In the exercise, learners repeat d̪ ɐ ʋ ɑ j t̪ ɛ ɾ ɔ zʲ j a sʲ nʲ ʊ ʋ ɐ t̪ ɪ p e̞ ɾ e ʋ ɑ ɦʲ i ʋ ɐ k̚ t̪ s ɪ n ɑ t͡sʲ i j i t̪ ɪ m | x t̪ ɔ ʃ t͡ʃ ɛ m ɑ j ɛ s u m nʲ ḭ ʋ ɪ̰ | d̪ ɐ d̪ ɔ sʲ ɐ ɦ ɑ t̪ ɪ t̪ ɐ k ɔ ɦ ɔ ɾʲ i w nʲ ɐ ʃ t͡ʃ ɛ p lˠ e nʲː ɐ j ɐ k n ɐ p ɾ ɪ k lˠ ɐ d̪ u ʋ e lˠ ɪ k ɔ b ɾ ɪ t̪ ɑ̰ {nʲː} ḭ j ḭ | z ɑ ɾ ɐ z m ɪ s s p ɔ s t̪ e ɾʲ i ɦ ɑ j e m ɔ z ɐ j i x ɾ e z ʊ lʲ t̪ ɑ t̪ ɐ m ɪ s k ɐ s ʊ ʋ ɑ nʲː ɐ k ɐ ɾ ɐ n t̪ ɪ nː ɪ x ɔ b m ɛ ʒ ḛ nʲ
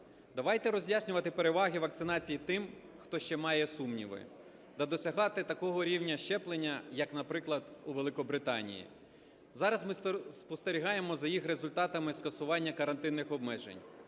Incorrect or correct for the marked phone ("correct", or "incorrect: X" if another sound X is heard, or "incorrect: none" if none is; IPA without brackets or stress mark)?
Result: incorrect: nʲ